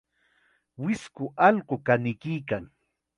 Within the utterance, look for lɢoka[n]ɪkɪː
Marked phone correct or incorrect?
correct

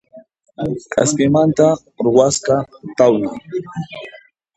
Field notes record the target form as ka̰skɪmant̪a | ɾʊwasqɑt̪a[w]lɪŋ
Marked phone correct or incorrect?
correct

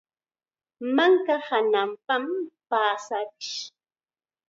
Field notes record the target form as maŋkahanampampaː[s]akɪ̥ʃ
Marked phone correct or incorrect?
correct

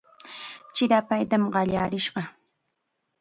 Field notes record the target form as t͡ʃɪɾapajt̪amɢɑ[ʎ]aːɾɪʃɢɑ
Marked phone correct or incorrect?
correct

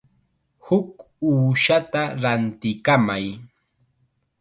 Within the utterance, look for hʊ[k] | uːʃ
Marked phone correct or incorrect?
correct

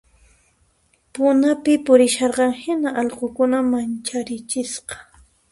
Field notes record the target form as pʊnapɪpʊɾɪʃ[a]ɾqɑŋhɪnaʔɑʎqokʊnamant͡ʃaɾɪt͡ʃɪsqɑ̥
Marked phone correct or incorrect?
incorrect: ɑ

